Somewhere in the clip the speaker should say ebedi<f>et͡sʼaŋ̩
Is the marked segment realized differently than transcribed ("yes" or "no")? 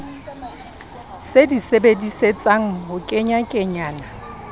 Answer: yes